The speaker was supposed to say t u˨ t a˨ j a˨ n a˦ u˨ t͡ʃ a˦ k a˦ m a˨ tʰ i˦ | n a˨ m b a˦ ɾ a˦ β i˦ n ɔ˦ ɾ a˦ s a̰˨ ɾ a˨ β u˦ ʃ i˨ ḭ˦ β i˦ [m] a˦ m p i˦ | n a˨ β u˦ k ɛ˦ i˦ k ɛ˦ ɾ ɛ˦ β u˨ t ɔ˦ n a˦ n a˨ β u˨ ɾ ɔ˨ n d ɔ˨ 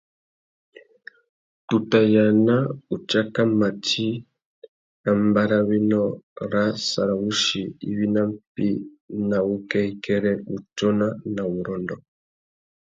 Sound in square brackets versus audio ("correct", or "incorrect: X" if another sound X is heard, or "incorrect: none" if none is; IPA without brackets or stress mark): incorrect: n